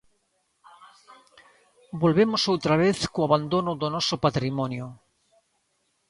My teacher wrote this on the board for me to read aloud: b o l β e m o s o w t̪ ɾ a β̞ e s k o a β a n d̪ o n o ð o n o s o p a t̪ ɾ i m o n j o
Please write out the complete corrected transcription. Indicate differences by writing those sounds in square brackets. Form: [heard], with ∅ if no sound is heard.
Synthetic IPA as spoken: b o l β e m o s o w t̪ ɾ a β̞ e [θ] k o a β a n d̪ o n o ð o n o s o p a t̪ ɾ i m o n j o

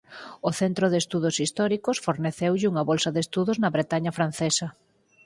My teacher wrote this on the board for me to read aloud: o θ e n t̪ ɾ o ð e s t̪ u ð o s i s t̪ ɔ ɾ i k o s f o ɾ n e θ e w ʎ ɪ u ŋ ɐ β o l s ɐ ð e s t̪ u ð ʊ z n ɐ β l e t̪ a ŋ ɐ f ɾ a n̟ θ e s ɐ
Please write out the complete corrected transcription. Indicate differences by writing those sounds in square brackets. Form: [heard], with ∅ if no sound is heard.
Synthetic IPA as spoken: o θ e n t̪ ɾ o ð e s t̪ u ð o s i s t̪ ɔ ɾ i k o s f o ɾ n e θ e w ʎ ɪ u ŋ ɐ β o l s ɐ ð e s t̪ u ð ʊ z n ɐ β [ɾ] e t̪ a [ɲ] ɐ f ɾ a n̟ θ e s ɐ

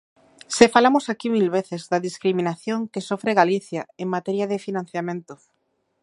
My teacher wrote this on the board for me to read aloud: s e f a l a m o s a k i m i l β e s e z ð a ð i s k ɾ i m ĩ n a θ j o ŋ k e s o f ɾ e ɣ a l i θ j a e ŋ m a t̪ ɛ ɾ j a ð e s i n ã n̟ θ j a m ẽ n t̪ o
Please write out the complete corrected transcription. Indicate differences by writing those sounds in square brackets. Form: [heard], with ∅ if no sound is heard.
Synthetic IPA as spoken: s e f a l a m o s a k i m i l β e [θ] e z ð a ð i s k ɾ i m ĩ n a θ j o ŋ k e s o f ɾ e ɣ a l i θ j a e ŋ m a t̪ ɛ ɾ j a ð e [f] i n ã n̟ θ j a m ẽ n t̪ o

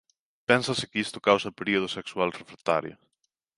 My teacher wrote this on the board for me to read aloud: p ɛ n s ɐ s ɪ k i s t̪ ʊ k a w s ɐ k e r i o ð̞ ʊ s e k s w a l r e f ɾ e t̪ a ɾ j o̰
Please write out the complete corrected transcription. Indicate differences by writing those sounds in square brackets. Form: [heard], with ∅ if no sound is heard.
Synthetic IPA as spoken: p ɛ n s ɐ s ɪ k i s t̪ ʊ k a w s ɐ [p] e [ɾ] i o ð̞ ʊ s e k s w a l r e f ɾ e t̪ a ɾ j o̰

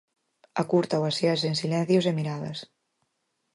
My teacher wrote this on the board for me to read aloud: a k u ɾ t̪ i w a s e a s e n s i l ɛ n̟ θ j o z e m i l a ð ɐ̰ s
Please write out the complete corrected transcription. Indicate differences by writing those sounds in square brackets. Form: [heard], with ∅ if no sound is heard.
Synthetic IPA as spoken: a k u ɾ t̪ [a] w a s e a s e n s i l ɛ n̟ θ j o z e m i [ɾ] a ð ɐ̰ s

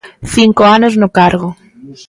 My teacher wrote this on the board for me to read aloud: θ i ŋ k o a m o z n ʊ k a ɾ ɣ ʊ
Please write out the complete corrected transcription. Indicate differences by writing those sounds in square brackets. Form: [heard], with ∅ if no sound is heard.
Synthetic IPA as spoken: θ i ŋ k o a [n] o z n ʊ k a ɾ ɣ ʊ

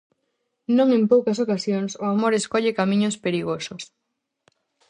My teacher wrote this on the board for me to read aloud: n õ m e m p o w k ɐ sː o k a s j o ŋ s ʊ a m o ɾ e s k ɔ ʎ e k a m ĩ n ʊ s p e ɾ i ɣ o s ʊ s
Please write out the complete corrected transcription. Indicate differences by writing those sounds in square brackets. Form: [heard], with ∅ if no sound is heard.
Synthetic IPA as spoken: n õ [ŋ] e m p o w k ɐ [s] o k a s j o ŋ s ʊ a m o ɾ e s k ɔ ʎ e k a m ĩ [ɲ] ʊ s p e ɾ i ɣ o s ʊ s

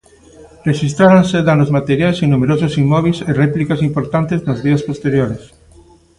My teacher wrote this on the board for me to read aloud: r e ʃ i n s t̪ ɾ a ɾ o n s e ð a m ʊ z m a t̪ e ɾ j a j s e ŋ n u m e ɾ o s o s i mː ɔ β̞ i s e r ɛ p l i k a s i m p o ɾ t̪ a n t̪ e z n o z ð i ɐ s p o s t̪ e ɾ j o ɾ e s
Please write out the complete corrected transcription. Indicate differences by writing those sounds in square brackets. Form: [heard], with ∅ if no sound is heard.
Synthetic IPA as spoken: r e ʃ i [∅] s t̪ ɾ a ɾ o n s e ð a [n] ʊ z m a t̪ e ɾ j a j s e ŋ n u m e ɾ o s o s i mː ɔ β̞ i s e r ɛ p l i k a s i m p o ɾ t̪ a n t̪ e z n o z ð i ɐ s p o s t̪ e ɾ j o ɾ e s

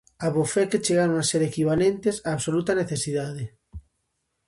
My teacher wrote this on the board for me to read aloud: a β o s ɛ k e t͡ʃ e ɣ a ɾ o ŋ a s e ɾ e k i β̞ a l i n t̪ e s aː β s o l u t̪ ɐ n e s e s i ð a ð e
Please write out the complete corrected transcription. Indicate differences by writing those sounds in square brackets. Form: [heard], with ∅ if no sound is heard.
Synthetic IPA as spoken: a β o [f] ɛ k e t͡ʃ e ɣ a ɾ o ŋ a s e ɾ e k i β̞ a l [e] n t̪ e s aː β s o l u t̪ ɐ n e [θ] e s i ð a ð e

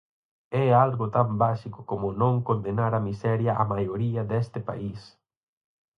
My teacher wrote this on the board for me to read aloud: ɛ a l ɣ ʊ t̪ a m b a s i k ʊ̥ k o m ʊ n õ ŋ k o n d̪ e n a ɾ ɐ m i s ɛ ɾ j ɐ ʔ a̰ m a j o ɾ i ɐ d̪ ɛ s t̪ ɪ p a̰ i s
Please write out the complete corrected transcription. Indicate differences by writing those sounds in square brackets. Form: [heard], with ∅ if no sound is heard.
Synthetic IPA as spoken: ɛ a l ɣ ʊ t̪ a m b a s i k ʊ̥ k o m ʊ n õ ŋ k o n d̪ e n a ɾ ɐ m i s ɛ ɾ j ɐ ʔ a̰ m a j o ɾ i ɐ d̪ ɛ s t̪ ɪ p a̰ i s

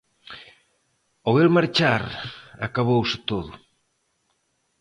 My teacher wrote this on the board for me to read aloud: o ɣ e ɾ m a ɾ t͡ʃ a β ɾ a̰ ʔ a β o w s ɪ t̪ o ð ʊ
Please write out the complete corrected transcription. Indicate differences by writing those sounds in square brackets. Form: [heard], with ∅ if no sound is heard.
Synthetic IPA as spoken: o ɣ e [l] m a ɾ t͡ʃ a [∅] ɾ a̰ [k] a β o w s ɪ t̪ o ð ʊ

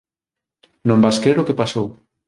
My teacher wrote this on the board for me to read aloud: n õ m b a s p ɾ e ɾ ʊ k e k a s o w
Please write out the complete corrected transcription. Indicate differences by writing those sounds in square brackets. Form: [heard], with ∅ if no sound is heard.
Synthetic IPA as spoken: n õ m b a s [k] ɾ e ɾ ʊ k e [p] a s o w

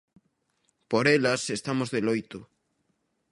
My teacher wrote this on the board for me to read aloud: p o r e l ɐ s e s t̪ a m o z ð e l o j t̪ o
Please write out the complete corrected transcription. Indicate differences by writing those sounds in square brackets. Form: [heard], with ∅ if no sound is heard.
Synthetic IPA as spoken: p o [ɾ] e l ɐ s e s t̪ a m o z ð e l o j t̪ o

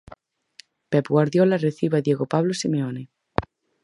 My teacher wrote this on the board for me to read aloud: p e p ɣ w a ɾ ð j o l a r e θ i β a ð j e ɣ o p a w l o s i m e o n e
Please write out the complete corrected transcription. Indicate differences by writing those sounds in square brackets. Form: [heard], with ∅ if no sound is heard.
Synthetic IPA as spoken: p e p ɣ w a ɾ ð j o l a r e θ i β a ð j e ɣ o p a [β] l o s i m e o n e

